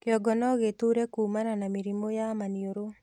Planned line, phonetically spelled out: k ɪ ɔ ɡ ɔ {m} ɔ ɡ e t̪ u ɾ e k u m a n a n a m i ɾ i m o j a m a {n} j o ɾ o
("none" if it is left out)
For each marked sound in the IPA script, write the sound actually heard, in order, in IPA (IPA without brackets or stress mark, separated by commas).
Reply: n, n